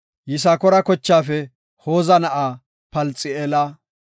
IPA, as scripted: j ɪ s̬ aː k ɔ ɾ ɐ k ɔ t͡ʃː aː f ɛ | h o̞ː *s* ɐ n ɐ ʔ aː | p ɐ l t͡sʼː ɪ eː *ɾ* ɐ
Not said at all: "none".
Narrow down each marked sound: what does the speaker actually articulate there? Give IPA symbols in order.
z, l

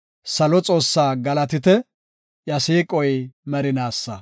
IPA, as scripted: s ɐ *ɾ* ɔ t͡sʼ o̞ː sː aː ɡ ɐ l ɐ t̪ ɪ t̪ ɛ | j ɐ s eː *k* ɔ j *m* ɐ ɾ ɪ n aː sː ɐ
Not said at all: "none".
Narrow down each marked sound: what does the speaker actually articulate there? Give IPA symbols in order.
l, kʼ, m

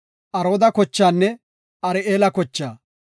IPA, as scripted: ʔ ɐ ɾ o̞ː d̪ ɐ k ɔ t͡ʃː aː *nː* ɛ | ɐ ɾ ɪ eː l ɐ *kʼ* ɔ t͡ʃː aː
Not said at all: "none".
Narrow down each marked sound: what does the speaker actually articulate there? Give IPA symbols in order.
nː, k

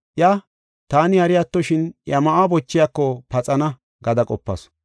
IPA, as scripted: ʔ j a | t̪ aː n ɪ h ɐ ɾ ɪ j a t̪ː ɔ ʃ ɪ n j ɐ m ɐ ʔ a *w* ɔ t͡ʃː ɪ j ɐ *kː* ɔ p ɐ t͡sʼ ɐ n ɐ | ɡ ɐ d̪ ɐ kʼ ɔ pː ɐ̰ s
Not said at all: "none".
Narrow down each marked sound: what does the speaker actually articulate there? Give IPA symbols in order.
b, kː

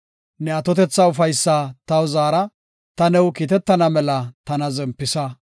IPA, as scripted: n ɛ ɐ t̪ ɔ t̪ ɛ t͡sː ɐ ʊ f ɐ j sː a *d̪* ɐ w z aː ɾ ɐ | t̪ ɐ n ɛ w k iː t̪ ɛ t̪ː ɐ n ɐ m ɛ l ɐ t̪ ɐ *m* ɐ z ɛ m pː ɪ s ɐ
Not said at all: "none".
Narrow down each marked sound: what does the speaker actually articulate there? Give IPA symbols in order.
t̪, n

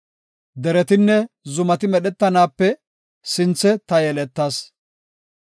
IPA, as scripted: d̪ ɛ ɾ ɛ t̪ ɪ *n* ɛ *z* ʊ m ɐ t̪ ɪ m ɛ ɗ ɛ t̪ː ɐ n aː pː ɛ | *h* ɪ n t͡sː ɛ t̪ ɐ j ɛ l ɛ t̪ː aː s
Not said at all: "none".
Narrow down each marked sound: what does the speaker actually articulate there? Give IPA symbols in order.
nː, z, s

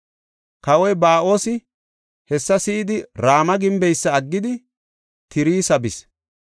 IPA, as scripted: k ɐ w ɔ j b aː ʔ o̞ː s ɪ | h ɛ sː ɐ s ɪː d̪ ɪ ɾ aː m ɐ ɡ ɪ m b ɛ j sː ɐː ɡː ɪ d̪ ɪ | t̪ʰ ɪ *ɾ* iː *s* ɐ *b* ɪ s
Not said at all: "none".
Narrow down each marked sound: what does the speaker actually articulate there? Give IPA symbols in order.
ɾ, s, b

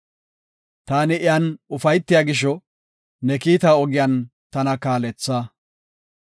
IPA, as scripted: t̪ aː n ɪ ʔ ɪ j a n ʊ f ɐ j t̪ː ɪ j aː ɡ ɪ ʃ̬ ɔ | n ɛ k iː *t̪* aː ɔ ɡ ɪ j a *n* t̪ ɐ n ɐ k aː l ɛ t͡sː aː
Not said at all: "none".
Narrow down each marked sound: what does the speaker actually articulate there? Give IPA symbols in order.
t̪, n

